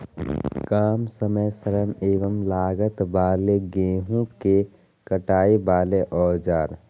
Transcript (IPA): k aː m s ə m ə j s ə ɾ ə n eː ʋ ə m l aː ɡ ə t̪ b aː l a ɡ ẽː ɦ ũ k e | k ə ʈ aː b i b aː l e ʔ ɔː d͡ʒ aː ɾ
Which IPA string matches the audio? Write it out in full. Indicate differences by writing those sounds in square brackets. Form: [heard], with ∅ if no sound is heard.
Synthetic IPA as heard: k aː m s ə m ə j s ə ɾ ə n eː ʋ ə m l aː ɡ ə t̪ b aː l [e] ɡ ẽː ɦ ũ k e | k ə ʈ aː [∅] i b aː l e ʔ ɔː d͡ʒ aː ɾ